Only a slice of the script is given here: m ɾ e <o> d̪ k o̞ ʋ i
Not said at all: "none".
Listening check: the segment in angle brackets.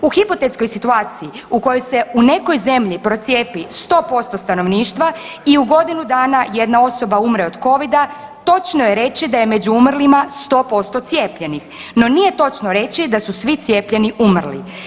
o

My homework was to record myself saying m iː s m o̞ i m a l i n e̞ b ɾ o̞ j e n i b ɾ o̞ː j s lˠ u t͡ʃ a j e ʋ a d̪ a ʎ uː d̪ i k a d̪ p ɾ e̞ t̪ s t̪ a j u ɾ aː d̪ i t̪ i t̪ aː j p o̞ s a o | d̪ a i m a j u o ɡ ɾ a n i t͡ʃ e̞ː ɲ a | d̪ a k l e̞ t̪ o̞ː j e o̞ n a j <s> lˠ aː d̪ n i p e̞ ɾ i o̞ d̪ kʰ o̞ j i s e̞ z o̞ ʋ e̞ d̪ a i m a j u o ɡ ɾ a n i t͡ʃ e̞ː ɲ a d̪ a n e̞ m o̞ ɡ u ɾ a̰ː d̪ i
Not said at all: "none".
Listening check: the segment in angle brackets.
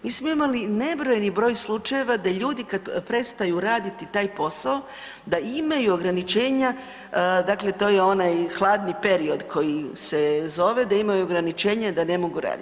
x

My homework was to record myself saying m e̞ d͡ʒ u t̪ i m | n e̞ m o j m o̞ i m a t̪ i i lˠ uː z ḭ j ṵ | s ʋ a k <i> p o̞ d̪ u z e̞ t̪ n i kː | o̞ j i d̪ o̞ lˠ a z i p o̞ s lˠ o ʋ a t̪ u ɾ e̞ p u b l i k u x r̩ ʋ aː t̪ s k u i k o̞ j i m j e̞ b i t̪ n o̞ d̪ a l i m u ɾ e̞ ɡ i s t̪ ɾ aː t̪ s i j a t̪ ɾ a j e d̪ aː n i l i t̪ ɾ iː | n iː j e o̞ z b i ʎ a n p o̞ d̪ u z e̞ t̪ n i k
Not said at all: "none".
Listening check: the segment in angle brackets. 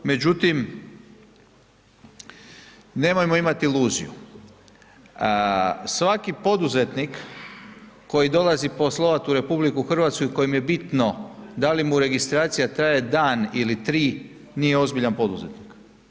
i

